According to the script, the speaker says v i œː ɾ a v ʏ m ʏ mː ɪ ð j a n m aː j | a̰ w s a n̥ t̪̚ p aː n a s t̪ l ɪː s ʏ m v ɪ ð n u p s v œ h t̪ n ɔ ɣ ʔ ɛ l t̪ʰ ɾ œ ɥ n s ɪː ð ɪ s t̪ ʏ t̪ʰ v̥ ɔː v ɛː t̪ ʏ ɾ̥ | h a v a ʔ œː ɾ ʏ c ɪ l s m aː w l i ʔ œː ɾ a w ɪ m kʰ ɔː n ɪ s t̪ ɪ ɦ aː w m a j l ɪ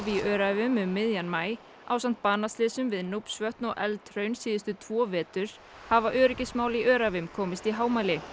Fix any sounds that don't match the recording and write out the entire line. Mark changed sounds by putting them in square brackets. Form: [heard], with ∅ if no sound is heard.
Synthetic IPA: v i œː ɾ a v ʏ m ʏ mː ɪ ð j a n m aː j | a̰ w s a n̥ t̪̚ p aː n a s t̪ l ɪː s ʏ m v ɪ ð n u p s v œ h t̪ n ɔ ɣ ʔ ɛ l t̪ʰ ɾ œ ɥ n s [iː] ð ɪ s t̪ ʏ t̪ʰ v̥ ɔː v ɛː t̪ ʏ ɾ̥ | h a v a ʔ œː ɾ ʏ c ɪ [∅] s m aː w l i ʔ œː ɾ a [v] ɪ m kʰ ɔː [m] ɪ s t̪ [i] ɦ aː w m a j l ɪ